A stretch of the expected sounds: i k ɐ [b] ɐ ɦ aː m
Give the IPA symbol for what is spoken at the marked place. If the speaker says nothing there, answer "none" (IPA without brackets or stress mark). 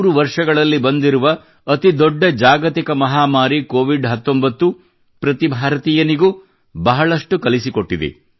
m